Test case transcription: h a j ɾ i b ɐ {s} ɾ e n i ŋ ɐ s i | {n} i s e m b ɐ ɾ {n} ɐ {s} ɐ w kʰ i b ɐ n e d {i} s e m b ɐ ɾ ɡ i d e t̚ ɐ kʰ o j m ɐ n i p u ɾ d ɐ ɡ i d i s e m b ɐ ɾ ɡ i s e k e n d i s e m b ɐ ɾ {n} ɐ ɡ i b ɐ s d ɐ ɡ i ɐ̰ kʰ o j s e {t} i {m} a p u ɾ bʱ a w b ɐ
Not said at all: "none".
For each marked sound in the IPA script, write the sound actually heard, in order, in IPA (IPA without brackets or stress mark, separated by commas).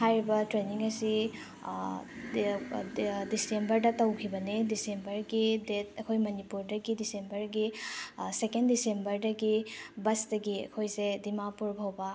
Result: t, d, d, t, i, d, d, m